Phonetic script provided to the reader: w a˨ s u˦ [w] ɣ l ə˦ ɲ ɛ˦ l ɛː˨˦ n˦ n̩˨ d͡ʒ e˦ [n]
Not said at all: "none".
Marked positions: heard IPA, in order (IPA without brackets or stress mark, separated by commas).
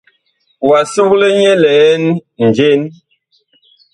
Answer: none, n